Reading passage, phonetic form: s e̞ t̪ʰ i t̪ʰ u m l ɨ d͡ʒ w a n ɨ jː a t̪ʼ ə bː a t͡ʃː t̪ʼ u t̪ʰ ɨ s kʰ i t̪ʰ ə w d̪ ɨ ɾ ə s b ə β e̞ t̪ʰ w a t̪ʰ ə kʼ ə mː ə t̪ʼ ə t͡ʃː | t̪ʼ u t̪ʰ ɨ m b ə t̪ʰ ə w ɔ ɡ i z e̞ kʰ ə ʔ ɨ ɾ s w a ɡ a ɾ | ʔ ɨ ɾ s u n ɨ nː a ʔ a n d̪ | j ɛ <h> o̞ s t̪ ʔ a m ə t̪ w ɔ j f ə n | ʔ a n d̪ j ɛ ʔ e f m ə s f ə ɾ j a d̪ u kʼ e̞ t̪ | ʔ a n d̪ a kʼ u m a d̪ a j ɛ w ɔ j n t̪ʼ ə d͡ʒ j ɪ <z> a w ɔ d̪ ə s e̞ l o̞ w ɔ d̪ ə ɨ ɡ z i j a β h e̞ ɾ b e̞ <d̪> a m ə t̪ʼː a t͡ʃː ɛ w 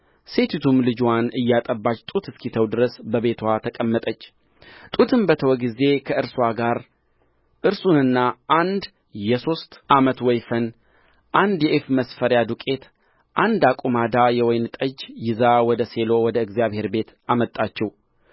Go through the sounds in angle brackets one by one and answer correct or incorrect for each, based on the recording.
incorrect, correct, incorrect

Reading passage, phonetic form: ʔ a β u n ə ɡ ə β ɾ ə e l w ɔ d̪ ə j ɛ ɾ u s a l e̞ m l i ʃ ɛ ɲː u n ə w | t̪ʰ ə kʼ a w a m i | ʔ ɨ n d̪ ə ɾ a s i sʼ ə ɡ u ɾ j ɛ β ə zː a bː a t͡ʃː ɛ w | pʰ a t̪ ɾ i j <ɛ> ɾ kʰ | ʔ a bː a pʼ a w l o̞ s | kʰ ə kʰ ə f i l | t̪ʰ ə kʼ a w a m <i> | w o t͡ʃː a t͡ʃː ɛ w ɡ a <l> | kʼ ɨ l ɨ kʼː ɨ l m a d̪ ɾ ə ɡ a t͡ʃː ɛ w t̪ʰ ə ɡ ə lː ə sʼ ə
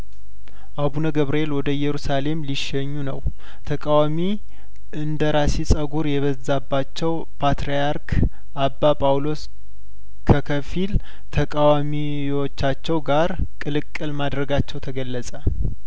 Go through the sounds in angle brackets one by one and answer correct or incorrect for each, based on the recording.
incorrect, correct, incorrect

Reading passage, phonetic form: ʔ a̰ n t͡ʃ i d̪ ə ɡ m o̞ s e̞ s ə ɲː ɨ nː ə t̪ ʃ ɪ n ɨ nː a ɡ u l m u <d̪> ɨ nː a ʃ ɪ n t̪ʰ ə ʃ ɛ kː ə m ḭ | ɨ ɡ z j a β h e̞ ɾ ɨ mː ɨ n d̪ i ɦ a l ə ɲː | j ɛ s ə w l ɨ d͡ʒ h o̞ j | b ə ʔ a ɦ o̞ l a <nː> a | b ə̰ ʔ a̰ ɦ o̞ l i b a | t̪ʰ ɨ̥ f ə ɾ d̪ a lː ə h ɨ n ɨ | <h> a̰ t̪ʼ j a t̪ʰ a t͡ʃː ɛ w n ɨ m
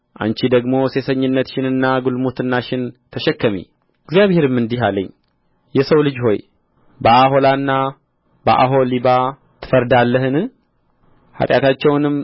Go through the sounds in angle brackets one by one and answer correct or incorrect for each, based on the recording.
incorrect, correct, correct

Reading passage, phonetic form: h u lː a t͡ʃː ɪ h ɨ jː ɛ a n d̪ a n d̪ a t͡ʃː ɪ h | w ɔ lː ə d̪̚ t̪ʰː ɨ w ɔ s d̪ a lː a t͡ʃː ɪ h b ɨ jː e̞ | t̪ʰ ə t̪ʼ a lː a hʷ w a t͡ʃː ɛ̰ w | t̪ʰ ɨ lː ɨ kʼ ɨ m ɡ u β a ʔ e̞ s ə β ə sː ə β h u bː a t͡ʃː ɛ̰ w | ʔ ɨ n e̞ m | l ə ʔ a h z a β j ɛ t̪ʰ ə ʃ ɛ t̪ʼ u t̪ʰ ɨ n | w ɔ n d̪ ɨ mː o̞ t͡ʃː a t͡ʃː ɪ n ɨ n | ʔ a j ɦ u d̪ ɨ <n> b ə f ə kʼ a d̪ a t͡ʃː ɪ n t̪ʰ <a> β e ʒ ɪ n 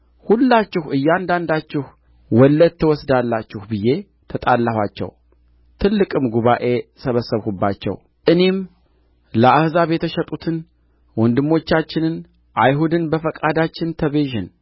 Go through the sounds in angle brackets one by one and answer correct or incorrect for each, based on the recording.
correct, incorrect

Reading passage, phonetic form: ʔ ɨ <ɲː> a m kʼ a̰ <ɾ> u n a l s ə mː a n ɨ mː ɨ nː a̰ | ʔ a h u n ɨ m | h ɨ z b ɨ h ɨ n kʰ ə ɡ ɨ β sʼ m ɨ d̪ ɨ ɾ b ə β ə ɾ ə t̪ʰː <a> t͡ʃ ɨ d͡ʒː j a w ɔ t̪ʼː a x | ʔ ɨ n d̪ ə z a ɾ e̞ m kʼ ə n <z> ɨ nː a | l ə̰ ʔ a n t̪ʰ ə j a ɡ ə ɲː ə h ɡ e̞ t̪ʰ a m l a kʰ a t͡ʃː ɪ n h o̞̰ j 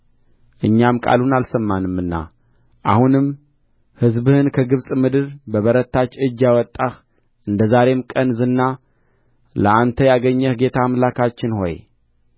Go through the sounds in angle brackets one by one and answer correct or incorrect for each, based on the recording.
correct, incorrect, correct, correct

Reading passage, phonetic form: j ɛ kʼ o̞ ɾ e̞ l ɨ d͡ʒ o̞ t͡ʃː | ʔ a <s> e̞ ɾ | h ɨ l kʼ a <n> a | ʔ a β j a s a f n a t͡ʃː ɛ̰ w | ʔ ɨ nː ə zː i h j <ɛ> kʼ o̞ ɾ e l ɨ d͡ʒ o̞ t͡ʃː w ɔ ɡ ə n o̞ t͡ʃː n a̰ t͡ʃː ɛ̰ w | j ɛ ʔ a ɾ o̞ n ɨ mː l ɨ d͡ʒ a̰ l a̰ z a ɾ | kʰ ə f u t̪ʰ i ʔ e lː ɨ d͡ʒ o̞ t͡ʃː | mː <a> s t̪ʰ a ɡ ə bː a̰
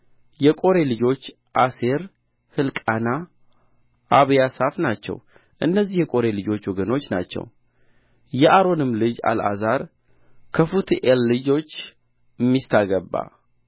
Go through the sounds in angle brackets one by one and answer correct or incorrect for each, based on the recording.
correct, correct, correct, incorrect

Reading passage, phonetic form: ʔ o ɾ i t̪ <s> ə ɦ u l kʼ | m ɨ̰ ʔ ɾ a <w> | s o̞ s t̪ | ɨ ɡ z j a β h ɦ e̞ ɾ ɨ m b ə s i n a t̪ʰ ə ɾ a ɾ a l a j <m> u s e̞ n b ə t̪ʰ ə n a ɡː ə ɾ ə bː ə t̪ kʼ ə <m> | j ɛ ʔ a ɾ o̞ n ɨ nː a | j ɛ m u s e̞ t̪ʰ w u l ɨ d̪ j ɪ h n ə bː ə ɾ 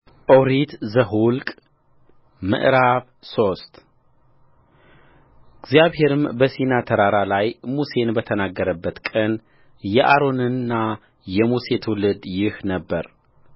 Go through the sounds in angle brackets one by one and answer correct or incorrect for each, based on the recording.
incorrect, incorrect, correct, incorrect

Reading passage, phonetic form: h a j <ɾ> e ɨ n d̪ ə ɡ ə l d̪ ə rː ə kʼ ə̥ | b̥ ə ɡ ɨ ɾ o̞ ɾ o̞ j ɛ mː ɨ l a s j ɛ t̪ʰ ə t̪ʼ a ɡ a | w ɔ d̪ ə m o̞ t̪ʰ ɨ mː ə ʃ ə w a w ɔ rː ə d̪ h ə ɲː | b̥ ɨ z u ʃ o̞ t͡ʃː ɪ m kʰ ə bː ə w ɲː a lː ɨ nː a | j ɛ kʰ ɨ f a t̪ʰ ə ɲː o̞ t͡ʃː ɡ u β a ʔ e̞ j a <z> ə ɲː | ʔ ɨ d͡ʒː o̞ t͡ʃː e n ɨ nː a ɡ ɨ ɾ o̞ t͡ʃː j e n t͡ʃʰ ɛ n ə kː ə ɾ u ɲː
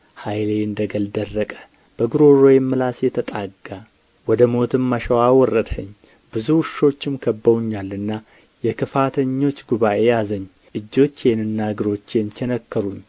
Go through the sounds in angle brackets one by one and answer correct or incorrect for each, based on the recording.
incorrect, correct

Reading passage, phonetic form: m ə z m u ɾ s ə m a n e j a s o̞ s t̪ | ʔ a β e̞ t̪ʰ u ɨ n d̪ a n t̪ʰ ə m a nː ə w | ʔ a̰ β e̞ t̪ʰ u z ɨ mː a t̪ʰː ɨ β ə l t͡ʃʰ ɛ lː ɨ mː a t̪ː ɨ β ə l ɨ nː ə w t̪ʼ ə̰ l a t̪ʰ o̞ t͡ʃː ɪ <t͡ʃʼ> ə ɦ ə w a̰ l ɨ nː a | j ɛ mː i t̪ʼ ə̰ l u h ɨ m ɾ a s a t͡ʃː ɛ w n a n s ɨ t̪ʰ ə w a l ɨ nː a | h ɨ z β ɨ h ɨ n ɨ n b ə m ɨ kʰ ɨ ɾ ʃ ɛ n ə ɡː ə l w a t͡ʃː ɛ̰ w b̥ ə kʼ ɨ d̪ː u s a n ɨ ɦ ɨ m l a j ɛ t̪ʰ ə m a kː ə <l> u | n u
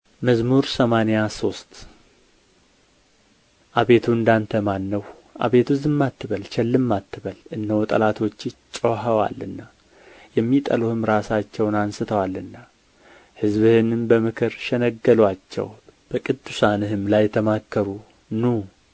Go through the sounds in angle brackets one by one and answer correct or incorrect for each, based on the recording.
correct, incorrect

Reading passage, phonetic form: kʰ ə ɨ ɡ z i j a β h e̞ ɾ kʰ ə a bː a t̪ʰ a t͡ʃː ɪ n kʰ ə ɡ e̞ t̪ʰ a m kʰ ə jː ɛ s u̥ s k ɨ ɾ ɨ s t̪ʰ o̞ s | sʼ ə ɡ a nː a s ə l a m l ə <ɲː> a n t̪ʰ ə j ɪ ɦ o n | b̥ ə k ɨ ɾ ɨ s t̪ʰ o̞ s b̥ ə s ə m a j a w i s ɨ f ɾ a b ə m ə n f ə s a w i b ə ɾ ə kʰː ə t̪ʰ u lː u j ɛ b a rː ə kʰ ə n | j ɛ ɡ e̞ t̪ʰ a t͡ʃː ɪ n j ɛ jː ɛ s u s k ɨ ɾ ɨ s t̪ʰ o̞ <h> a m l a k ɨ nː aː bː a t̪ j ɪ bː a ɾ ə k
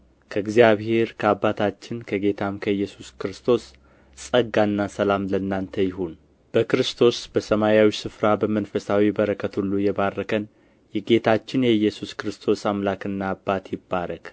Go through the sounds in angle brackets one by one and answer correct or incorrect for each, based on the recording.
incorrect, incorrect

